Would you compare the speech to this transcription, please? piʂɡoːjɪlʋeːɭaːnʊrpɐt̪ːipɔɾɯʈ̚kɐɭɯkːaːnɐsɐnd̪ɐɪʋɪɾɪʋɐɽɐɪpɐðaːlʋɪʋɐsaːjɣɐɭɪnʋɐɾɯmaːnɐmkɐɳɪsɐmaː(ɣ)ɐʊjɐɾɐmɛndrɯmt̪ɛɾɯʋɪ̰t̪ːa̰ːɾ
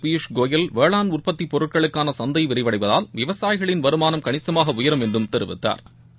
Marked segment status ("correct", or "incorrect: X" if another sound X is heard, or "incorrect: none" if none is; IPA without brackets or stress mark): correct